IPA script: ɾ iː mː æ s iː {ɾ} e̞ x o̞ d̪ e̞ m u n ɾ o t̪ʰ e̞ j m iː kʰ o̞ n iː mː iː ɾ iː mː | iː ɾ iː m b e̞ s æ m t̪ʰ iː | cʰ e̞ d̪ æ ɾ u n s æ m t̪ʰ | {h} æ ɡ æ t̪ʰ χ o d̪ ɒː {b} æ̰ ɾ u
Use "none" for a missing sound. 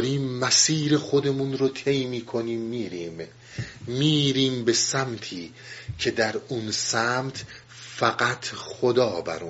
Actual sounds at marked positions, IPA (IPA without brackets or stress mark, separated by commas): ɾ, f, b